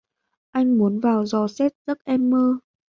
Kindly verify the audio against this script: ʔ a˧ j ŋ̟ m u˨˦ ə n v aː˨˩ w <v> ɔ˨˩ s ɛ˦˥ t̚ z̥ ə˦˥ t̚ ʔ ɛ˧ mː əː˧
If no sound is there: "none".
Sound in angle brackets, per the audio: z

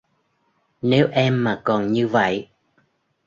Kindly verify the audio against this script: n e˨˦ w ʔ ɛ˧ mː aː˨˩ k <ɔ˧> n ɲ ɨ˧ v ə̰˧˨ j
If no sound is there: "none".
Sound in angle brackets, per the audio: ɔ˨˩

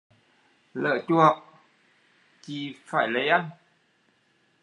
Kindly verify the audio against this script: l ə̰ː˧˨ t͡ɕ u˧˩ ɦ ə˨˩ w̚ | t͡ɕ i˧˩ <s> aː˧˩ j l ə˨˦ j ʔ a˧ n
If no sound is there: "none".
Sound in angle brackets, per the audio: f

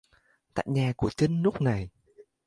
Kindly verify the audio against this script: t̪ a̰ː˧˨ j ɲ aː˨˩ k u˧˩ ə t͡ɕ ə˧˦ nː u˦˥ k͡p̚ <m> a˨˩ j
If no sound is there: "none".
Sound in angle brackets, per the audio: n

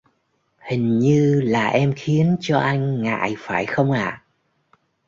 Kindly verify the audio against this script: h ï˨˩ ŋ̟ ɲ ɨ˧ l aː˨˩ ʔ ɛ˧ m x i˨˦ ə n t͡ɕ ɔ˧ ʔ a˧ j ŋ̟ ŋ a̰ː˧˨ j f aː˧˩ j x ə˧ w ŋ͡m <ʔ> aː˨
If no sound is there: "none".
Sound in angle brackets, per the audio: ʔ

